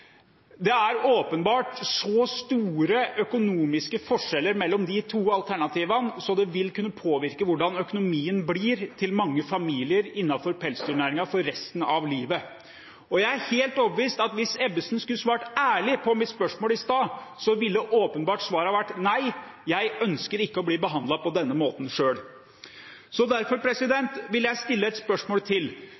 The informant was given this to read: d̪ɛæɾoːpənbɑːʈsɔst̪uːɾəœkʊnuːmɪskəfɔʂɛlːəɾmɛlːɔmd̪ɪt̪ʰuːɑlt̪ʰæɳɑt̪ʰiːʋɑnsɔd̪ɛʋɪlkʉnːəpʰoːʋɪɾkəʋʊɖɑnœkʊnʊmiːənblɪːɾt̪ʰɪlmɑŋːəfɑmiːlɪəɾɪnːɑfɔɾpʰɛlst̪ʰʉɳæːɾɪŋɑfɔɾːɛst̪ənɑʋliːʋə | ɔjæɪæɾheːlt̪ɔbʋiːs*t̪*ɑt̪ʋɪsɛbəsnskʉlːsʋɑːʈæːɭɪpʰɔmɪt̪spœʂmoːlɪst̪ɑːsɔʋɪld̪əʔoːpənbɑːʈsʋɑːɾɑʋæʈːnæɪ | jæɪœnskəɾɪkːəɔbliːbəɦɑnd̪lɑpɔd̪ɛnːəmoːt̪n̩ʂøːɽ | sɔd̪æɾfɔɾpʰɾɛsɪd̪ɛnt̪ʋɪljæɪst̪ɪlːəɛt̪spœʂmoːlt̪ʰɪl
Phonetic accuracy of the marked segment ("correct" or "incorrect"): correct